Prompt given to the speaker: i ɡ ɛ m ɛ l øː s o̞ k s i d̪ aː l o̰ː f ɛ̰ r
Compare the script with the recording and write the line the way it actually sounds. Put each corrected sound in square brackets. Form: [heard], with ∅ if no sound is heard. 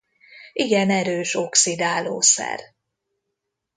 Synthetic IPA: i ɡ ɛ [n] ɛ [ɾ] øː [ʃ] o̞ k s i d̪ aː l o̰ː [s] ɛ̰ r